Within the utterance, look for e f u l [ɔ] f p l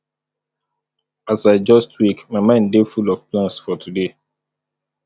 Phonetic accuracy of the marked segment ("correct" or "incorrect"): correct